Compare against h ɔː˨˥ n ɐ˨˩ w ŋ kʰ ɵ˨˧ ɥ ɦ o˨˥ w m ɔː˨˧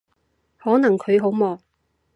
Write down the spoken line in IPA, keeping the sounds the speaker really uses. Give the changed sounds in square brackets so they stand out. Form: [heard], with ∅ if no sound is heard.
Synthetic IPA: h ɔː˨˥ n ɐ˨˩ [∅] ŋ kʰ ɵ˨˧ ɥ ɦ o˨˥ w m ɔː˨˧